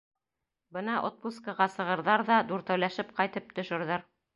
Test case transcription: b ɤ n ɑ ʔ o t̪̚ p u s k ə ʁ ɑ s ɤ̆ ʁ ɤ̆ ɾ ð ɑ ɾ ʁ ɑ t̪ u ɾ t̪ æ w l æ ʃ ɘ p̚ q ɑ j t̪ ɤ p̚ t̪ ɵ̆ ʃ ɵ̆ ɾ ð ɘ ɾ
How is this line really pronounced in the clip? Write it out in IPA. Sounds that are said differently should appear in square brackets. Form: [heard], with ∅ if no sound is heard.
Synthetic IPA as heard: b ɤ n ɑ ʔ o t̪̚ p u s k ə ʁ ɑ s ɤ̆ ʁ ɤ̆ ɾ ð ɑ ɾ [ð] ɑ [d̪] u ɾ t̪ æ w l æ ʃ ɘ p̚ q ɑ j t̪ ɤ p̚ t̪ ɵ̆ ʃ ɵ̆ ɾ ð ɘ ɾ

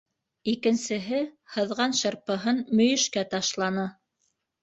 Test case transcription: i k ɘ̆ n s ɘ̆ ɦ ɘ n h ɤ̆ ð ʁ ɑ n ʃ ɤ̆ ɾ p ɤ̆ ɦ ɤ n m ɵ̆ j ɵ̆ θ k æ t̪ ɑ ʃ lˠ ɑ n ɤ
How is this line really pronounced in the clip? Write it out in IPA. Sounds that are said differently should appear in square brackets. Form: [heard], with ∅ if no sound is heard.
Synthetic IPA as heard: i k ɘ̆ n s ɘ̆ ɦ ɘ [∅] h ɤ̆ ð ʁ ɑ n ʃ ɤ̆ ɾ p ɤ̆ ɦ ɤ n m ɵ̆ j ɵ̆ [ʃ] k æ t̪ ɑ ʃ lˠ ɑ n ɤ

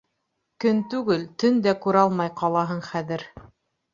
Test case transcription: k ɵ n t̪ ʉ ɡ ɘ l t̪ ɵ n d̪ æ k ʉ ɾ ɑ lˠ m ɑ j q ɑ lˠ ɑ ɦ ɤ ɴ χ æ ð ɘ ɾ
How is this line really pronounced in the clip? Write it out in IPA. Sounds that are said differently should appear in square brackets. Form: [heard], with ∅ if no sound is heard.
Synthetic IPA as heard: k ɵ n t̪ ʉ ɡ ɘ l t̪ ɵ n d̪ æ k ʉ ɾ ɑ lˠ m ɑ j q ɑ lˠ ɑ ɦ ɤ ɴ χ æ ð ɘ ɾ

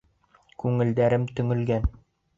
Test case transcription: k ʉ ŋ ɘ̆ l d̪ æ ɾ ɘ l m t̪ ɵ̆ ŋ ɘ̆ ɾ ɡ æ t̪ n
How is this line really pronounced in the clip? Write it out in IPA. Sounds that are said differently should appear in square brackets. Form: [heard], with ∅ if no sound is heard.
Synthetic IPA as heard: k ʉ ŋ ɘ̆ l d̪ æ ɾ ɘ [∅] m t̪ ɵ̆ ŋ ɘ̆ [l] ɡ æ [∅] n

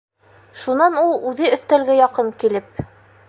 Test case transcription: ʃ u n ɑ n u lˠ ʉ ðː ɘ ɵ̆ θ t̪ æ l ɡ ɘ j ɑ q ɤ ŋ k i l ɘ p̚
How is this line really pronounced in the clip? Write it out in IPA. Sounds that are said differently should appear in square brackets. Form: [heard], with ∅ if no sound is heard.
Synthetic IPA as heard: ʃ u n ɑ n u lˠ ʉ [ð] ɘ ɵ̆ θ t̪ æ l ɡ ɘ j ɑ q ɤ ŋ k i l ɘ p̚

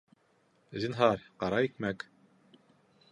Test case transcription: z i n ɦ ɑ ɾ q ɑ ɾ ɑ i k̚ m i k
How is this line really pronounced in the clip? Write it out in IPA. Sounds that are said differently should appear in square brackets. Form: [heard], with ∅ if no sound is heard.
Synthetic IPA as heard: z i n ɦ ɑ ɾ q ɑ ɾ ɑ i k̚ m [æ] k

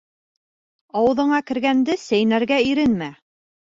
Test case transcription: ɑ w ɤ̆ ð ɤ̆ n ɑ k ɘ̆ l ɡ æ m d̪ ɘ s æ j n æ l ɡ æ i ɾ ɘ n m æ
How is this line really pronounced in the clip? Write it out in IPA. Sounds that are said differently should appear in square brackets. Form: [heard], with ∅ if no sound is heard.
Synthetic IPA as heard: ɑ w ɤ̆ ð ɤ̆ [ɴ] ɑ k ɘ̆ [ɾ] ɡ æ [n] d̪ ɘ s æ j n æ [ɾ] ɡ æ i ɾ ɘ n m æ

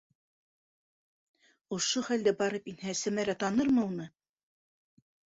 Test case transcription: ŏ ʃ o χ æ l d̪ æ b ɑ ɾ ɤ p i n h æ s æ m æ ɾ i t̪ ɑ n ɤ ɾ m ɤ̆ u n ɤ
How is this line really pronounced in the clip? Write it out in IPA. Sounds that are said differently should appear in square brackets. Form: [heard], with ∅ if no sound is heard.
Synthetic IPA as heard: ŏ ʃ o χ æ l d̪ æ b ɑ ɾ ɤ p i n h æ s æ m æ ɾ [æ] t̪ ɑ n ɤ ɾ m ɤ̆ u n ɤ

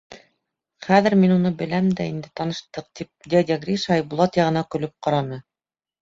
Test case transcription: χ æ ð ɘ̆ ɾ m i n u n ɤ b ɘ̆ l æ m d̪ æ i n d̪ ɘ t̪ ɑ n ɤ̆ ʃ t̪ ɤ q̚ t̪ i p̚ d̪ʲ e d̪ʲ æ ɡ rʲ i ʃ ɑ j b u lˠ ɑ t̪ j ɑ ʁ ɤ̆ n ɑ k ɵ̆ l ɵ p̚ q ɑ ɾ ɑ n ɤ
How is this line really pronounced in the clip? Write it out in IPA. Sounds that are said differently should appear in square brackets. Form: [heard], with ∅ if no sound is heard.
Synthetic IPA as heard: χ æ ð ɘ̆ ɾ m i n u n ɤ b ɘ̆ l æ m d̪ æ i n d̪ ɘ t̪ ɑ n ɤ̆ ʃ t̪ ɤ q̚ t̪ i p̚ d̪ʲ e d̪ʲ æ ɡ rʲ i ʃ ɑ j b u lˠ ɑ t̪ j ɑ ʁ ɤ̆ n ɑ k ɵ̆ l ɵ p̚ q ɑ ɾ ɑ n ɤ

